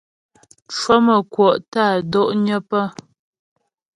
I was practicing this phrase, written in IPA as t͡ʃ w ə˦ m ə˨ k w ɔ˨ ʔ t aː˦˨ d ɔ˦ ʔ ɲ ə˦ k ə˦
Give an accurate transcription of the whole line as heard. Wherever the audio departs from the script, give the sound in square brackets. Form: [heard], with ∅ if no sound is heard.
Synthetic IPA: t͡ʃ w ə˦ m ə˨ k w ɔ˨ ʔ t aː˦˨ d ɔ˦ ʔ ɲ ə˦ [p] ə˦